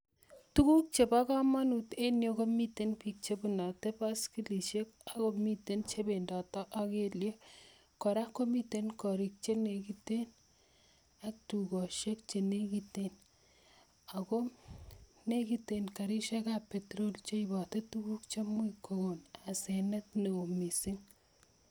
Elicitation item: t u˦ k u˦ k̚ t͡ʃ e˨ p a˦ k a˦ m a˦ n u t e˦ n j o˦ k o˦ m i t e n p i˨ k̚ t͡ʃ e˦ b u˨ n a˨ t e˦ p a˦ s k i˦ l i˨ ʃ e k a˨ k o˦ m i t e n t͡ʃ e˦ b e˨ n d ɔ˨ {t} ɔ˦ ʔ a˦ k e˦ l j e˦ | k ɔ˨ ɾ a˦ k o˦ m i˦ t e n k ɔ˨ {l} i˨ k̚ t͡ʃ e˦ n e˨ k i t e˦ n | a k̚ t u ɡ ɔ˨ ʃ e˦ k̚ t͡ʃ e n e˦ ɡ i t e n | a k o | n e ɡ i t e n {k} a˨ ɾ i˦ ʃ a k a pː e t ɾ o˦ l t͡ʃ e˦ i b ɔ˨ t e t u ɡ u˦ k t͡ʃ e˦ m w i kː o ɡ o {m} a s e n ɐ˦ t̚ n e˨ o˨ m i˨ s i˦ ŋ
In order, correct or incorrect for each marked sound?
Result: correct, incorrect, correct, incorrect

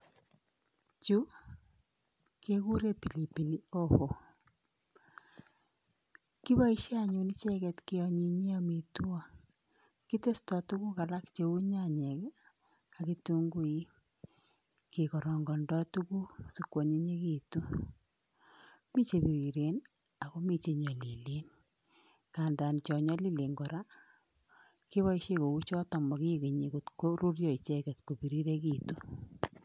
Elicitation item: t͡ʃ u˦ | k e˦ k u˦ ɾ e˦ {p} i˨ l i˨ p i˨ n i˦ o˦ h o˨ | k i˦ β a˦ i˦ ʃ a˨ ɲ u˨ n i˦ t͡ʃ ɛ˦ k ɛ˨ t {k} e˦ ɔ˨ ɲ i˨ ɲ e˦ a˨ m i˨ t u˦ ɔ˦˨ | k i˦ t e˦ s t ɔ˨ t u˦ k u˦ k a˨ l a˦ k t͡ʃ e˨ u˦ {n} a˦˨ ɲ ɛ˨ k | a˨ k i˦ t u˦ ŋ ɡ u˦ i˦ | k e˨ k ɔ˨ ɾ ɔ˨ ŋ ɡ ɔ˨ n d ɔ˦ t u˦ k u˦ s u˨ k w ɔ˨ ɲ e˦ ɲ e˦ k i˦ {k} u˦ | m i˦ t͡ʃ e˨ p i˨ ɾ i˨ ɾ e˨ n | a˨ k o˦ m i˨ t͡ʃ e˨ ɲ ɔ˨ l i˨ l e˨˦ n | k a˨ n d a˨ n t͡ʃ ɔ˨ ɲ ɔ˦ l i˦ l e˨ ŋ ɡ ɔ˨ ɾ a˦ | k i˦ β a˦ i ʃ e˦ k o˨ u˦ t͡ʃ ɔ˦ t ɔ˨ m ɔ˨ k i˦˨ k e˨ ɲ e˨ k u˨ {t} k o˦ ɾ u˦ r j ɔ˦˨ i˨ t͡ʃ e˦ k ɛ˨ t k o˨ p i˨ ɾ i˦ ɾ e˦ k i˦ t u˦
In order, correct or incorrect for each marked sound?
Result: correct, correct, incorrect, incorrect, correct

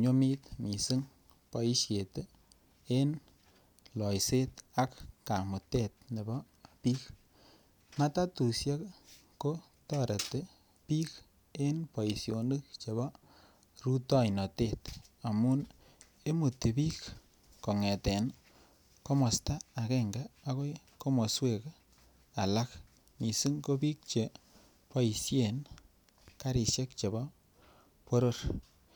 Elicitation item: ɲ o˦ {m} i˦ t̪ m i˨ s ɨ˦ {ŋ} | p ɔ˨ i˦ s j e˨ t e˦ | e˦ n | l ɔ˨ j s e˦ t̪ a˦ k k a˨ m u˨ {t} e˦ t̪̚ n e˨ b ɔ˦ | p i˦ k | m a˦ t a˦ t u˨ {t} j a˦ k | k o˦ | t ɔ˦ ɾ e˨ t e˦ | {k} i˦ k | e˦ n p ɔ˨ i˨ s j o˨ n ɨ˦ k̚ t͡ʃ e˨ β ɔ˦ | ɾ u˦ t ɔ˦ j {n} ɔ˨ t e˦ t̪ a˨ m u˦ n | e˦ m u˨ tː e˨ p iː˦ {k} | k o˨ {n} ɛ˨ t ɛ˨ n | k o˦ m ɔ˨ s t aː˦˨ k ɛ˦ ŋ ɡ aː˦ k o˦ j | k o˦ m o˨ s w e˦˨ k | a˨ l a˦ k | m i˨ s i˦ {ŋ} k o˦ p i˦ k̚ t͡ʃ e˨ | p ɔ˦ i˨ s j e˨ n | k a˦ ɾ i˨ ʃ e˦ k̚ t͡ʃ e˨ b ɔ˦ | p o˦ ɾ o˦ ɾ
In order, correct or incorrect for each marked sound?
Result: correct, correct, correct, incorrect, incorrect, correct, correct, incorrect, correct

